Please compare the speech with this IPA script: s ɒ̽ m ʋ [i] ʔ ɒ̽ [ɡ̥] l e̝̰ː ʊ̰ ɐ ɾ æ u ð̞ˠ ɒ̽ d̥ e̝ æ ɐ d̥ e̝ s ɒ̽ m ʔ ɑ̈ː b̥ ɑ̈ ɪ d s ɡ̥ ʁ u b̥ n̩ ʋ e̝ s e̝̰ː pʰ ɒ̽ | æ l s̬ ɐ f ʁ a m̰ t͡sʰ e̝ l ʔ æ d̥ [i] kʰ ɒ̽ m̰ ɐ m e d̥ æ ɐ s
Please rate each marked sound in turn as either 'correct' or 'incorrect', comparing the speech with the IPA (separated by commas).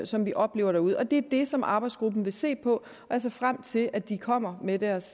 correct, incorrect, correct